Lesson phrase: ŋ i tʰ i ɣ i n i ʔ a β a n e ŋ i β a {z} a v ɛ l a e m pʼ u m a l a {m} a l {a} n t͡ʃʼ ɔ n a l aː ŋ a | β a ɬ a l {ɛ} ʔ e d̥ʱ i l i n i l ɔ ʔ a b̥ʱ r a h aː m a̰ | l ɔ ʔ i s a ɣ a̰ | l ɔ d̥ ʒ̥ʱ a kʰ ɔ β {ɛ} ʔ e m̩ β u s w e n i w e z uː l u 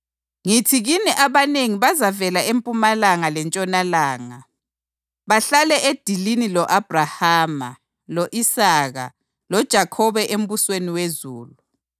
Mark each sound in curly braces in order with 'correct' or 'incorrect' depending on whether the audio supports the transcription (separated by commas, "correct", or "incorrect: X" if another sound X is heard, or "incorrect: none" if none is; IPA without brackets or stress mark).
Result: correct, incorrect: ŋ, incorrect: ɛ, correct, correct